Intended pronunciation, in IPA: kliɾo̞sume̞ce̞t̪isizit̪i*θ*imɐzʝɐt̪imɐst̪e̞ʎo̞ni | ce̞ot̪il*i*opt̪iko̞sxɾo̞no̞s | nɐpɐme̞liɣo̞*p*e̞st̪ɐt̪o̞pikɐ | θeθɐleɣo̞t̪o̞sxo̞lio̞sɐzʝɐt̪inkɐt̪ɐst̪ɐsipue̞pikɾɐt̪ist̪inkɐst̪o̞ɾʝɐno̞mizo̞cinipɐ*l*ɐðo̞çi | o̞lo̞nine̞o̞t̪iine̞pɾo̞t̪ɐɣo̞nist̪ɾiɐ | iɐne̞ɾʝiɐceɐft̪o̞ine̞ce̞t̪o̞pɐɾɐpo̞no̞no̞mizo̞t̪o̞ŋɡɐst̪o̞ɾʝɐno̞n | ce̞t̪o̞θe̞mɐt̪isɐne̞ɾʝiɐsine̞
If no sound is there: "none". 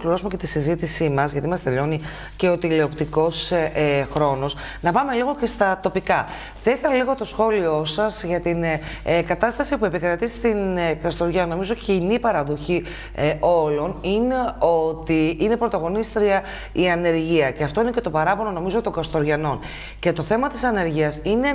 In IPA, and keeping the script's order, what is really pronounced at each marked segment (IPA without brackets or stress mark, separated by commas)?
s, e, c, ɾ